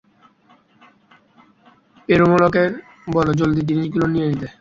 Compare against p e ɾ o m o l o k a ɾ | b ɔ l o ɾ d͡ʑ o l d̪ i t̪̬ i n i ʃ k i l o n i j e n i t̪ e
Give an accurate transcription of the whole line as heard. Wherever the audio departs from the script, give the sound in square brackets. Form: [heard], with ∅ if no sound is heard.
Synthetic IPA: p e ɾ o m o l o k [e] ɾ | b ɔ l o [∅] d͡ʑ o l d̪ i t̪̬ i n i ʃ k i l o n i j e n i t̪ e